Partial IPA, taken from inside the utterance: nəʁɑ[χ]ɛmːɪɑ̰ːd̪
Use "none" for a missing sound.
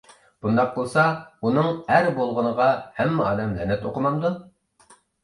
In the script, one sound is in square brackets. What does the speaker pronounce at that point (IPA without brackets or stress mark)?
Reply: h